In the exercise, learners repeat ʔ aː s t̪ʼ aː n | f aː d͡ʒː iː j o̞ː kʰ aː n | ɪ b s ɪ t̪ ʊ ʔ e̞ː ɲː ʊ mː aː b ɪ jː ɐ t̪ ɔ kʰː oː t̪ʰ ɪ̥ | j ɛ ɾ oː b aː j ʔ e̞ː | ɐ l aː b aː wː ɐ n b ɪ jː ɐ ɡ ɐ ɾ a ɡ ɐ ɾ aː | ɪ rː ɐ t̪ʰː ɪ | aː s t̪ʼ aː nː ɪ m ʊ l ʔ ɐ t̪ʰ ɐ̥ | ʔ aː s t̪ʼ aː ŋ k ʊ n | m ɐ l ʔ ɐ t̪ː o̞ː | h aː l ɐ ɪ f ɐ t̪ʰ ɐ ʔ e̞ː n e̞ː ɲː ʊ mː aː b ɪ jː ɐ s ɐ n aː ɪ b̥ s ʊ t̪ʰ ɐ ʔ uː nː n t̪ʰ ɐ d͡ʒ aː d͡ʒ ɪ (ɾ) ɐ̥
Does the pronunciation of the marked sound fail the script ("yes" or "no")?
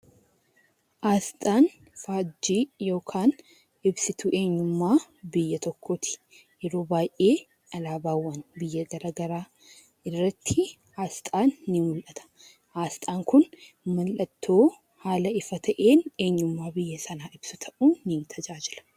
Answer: yes